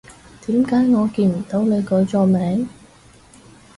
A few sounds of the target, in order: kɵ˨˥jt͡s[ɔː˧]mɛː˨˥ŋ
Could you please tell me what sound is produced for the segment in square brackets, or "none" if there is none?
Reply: ɔː˧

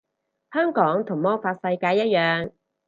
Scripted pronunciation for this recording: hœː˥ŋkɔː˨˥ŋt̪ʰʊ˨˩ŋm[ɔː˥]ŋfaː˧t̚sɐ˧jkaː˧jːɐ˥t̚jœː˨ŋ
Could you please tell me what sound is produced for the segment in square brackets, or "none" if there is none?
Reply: ɔː˥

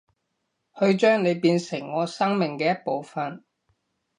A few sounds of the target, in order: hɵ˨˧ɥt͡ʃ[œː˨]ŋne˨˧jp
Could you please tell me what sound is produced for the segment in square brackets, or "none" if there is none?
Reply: œː˥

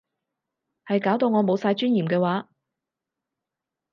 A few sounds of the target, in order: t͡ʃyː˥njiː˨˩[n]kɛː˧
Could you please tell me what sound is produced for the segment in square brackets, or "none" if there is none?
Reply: m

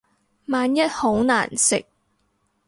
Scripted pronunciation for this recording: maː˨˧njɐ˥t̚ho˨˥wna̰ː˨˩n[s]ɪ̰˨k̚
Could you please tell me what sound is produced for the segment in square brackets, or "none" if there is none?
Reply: s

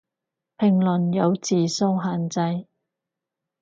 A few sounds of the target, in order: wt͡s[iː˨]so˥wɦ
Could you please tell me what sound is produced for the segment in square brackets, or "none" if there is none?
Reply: iː˨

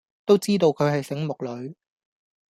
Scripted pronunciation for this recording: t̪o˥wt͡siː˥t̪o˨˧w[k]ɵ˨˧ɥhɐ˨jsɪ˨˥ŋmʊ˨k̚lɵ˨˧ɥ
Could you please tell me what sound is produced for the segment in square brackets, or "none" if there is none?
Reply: kʰ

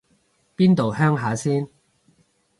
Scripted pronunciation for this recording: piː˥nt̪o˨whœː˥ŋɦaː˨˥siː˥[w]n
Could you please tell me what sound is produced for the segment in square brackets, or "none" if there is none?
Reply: none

